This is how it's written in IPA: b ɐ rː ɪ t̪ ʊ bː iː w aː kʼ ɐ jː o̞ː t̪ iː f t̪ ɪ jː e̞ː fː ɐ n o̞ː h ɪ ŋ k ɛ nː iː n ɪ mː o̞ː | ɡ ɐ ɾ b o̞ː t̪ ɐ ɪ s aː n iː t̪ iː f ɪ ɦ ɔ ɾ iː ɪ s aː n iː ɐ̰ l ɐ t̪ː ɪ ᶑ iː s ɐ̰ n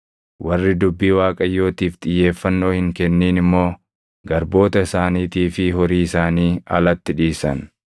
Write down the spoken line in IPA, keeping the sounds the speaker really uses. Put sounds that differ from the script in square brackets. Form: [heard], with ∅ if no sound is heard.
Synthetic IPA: [w] ɐ rː ɪ [d̪] ʊ bː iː w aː kʼ ɐ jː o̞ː t̪ iː f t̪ ɪ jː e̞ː fː ɐ [nː] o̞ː h ɪ ŋ k ɛ nː iː n ɪ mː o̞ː | ɡ ɐ ɾ b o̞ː t̪ ɐ ɪ s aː n iː t̪ iː f ɪ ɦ ɔ ɾ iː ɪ s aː n iː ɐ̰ l ɐ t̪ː ɪ ᶑ iː s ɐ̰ n

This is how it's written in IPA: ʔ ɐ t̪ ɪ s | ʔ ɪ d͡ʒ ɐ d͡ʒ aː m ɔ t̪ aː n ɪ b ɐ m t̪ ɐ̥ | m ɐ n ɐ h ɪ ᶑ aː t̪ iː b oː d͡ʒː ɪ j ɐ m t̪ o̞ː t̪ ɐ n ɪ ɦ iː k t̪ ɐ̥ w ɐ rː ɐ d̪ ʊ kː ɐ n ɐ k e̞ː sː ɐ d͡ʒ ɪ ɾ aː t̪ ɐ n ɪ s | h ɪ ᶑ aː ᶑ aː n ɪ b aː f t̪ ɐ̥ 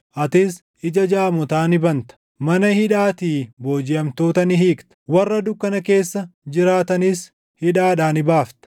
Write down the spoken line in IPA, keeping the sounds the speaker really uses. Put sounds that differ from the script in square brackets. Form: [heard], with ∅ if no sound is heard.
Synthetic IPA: ʔ ɐ t̪ ɪ s | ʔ ɪ d͡ʒ ɐ d͡ʒ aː m ɔ t̪ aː n ɪ b ɐ [n] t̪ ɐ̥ | m ɐ n ɐ h ɪ ᶑ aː t̪ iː b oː [d͡ʒ] ɪ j ɐ m t̪ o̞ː t̪ ɐ n ɪ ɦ iː k t̪ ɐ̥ w ɐ rː ɐ d̪ ʊ kː ɐ n ɐ k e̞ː sː ɐ d͡ʒ ɪ ɾ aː t̪ ɐ n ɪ s | h ɪ ᶑ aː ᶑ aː n ɪ b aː f t̪ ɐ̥

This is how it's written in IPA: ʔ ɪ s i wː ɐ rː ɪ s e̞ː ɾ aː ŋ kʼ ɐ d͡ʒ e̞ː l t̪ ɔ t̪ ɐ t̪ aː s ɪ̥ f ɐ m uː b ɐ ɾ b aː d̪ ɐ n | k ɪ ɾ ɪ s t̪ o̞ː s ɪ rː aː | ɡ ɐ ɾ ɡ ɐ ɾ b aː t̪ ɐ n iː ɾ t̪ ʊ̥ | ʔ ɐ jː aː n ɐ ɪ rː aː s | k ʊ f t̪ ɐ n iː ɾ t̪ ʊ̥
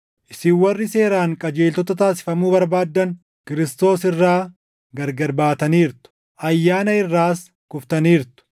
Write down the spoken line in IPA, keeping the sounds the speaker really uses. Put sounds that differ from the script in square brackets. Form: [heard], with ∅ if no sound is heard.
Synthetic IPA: ʔ ɪ s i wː ɐ rː ɪ s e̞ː ɾ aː ŋ kʼ ɐ d͡ʒ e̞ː l t̪ ɔ t̪ ɐ t̪ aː s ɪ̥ f ɐ m uː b ɐ ɾ b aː [d̪ː] ɐ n | k ɪ ɾ ɪ s t̪ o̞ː s ɪ rː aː | ɡ ɐ ɾ ɡ ɐ ɾ b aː t̪ ɐ n iː ɾ t̪ ʊ̥ | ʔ ɐ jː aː n ɐ ɪ rː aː s | k ʊ f t̪ ɐ n iː ɾ t̪ ʊ̥

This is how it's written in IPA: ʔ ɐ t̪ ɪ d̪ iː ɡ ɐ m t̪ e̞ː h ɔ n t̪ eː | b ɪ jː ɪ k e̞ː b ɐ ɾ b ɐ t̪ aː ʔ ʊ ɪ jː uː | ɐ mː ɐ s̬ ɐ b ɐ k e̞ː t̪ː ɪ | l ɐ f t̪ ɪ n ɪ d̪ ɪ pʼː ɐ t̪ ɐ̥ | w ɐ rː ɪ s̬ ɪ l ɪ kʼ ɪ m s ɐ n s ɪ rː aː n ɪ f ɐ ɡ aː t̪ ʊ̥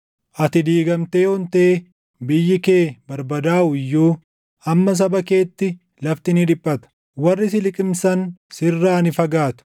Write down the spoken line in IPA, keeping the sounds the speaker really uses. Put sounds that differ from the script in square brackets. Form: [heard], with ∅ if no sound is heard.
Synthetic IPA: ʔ ɐ t̪ ɪ d̪ iː ɡ ɐ m t̪ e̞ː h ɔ n t̪ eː | b ɪ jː ɪ k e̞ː b ɐ ɾ b ɐ [d̪] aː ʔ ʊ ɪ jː uː | ɐ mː ɐ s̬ ɐ b ɐ k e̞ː t̪ː ɪ | l ɐ f t̪ ɪ n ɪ d̪ ɪ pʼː ɐ t̪ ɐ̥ | w ɐ rː ɪ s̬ ɪ l ɪ kʼ ɪ m s ɐ n s ɪ rː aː n ɪ f ɐ ɡ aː t̪ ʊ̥

